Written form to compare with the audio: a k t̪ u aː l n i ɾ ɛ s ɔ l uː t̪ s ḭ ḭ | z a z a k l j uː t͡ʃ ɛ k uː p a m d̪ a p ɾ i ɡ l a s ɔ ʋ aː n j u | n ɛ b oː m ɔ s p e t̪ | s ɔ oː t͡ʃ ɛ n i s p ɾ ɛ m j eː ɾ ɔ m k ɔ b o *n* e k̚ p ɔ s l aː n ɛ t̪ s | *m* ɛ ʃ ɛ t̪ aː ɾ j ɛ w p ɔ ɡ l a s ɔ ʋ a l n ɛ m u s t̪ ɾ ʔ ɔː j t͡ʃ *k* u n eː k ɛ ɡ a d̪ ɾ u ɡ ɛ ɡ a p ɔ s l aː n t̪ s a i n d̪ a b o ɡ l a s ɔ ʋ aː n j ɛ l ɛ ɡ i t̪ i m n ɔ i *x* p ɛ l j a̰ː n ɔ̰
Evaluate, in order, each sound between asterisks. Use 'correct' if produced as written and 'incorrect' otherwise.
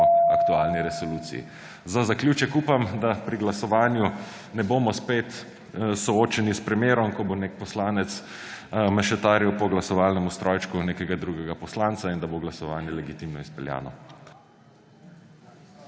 correct, correct, correct, incorrect

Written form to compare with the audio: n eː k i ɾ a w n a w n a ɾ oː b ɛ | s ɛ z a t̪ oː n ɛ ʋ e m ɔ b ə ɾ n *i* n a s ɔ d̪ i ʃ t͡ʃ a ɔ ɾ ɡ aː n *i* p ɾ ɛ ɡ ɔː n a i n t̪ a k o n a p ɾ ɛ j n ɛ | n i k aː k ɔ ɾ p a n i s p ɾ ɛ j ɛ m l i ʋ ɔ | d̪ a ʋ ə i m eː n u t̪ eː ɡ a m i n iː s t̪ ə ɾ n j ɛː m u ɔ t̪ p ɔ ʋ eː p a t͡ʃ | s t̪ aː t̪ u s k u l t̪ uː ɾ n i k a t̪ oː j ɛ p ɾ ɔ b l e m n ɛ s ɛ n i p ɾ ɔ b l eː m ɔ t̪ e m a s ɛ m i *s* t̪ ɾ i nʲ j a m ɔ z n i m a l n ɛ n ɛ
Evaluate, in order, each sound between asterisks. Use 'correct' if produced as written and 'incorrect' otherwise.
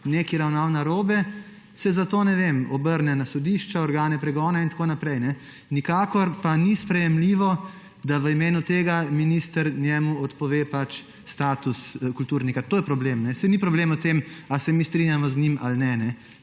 incorrect, incorrect, correct

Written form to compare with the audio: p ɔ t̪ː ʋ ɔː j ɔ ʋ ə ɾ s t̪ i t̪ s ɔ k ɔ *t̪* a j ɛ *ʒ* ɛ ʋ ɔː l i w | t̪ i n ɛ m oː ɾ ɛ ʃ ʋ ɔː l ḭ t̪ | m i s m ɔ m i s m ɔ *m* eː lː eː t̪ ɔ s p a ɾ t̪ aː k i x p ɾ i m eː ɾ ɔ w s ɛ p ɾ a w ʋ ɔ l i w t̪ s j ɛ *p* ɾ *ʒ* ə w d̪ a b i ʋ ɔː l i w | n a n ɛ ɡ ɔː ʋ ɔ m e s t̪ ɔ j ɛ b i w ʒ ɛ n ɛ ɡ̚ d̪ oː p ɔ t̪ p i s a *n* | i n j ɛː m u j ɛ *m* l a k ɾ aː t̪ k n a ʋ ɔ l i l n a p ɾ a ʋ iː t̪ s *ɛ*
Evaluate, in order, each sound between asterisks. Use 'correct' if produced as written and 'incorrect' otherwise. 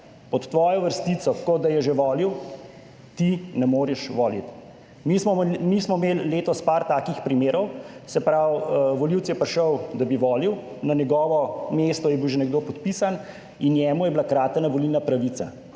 incorrect, correct, correct, correct, incorrect, correct, incorrect, incorrect

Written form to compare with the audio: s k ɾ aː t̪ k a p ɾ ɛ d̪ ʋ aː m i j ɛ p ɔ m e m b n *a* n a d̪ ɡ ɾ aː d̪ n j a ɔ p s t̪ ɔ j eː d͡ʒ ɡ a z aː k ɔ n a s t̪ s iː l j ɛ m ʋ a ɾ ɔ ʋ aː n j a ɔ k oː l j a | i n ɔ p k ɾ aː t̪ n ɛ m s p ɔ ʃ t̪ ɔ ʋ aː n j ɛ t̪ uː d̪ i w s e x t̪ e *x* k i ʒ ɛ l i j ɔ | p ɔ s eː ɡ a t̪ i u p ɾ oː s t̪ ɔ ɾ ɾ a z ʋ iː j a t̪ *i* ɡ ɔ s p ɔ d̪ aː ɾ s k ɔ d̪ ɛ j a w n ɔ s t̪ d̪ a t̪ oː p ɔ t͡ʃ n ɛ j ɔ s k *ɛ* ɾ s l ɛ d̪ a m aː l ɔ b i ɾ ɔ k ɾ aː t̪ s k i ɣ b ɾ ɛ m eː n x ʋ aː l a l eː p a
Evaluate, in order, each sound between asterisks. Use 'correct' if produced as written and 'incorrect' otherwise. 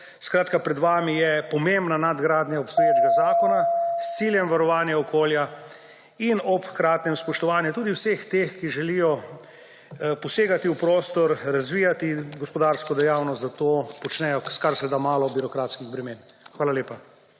correct, correct, correct, incorrect

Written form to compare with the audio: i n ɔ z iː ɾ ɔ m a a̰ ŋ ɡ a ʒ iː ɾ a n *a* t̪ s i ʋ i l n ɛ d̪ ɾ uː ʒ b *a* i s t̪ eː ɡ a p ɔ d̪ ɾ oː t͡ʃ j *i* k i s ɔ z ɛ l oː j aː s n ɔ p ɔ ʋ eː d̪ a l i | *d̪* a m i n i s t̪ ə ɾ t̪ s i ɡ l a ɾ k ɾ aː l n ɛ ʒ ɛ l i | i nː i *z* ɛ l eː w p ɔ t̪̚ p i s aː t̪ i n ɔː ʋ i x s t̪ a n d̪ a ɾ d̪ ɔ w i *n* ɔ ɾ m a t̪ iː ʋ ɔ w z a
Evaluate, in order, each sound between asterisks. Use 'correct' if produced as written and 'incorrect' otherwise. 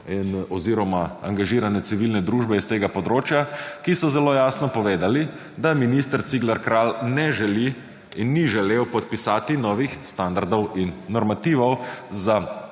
incorrect, incorrect, incorrect, correct, incorrect, incorrect

